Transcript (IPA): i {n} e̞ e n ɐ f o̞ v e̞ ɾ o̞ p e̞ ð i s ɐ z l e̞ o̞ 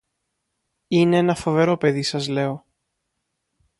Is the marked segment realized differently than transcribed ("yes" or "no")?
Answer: no